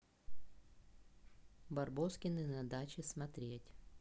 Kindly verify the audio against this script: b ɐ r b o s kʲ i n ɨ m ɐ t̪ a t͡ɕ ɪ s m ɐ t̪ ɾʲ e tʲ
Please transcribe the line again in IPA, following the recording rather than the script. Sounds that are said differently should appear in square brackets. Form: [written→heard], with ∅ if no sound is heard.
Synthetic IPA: b ɐ r b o s kʲ [i→ɪ] n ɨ [m→n] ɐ [t̪→d̪] a t͡ɕ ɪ s m ɐ t̪ ɾʲ e tʲ